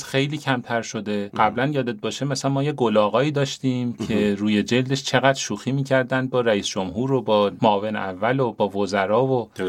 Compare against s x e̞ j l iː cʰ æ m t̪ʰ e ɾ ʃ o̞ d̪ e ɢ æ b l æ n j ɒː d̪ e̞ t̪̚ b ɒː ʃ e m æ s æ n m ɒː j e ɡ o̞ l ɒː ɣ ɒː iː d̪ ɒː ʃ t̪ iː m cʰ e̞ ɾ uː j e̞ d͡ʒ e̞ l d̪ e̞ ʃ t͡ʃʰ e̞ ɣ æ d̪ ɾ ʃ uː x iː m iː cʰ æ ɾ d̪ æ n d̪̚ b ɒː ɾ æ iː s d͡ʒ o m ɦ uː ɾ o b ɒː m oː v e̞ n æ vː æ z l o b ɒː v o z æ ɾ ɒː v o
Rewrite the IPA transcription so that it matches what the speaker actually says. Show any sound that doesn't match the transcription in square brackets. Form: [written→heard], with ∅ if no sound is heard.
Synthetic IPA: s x e̞ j l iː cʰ æ m t̪ʰ [e→æ] ɾ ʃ o̞ d̪ e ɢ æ b l æ n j ɒː d̪ e̞ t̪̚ b ɒː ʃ e m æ s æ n m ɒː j e ɡ o̞ l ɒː ɣ ɒː iː d̪ ɒː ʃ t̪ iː m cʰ e̞ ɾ uː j e̞ d͡ʒ e̞ l d̪ e̞ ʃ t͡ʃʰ e̞ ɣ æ d̪ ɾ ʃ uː x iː m iː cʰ æ ɾ d̪ æ n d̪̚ b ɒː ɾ æ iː s d͡ʒ o m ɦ uː ɾ o b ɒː m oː v e̞ n æ vː æ [z→∅] l o b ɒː v o z æ ɾ ɒː v o